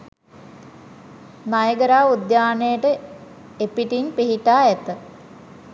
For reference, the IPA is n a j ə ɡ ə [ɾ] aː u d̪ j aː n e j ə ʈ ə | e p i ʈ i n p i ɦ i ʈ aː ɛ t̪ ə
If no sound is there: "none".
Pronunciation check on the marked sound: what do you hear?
ɾ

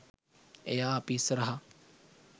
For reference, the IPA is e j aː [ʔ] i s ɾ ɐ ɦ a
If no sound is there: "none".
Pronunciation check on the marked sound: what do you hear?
p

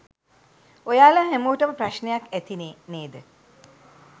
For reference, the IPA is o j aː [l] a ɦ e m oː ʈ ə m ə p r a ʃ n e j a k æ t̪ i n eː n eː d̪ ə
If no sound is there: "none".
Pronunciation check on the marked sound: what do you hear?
l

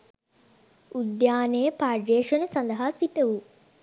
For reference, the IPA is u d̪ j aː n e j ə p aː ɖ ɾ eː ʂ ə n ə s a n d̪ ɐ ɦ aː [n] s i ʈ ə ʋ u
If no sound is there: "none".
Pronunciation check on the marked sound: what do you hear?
none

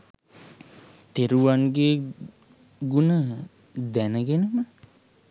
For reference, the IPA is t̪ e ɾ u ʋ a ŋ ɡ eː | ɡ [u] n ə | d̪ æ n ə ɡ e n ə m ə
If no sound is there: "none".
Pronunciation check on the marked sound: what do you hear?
u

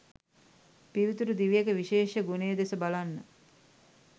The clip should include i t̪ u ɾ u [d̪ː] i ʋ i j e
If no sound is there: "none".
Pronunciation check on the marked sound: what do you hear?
d̪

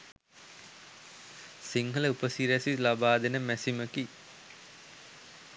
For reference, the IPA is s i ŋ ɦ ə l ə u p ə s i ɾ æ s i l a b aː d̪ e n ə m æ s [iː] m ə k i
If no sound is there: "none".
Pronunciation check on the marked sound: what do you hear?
i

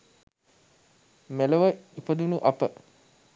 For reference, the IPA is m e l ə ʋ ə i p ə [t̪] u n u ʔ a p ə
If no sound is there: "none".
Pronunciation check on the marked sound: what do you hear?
d̪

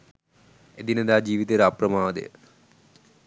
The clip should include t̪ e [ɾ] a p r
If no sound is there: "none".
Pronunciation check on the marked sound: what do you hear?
ɾ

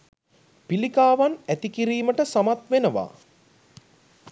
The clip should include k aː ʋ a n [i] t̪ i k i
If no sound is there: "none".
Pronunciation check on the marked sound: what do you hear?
æ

